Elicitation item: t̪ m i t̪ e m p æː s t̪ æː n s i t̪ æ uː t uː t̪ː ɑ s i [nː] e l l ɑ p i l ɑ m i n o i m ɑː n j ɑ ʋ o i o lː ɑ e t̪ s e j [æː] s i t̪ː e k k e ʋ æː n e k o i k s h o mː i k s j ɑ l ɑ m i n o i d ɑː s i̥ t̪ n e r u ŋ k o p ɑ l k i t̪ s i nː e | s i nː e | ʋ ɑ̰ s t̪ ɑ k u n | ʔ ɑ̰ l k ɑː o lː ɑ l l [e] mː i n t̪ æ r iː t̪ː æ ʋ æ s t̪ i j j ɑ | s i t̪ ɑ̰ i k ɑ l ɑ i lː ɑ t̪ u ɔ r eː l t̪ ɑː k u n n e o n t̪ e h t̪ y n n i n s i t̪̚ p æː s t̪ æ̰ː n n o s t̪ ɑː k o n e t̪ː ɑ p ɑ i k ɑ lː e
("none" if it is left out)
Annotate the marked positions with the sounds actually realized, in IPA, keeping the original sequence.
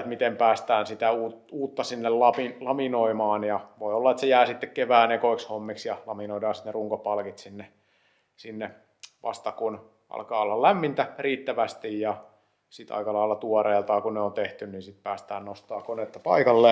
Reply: nː, æː, æ

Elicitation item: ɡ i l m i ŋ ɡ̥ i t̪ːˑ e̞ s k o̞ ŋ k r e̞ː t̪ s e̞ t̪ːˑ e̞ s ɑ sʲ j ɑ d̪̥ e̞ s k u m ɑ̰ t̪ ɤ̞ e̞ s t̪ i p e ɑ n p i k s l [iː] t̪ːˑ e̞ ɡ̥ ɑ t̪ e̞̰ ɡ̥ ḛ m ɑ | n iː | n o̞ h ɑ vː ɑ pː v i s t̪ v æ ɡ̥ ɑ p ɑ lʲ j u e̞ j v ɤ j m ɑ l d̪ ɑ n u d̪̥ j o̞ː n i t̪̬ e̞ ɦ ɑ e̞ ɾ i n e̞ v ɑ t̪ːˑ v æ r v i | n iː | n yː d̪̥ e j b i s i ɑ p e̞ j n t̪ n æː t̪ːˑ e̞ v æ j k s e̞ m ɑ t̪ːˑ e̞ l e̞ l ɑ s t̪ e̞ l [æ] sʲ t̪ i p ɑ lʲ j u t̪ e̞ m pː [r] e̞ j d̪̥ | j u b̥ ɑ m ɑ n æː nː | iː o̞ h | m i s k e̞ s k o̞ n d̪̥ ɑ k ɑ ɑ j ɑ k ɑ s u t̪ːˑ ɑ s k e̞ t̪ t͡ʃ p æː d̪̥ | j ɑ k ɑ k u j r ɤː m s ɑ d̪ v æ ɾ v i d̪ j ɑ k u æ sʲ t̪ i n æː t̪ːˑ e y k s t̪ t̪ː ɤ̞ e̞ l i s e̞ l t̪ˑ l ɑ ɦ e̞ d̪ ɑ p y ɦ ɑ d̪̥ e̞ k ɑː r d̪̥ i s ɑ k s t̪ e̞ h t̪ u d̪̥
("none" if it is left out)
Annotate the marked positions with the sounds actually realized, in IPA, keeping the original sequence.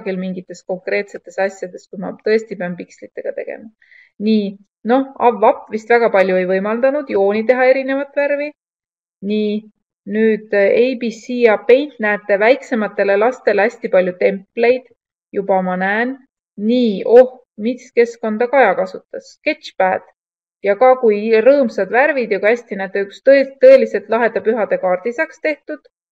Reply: i, æ, l

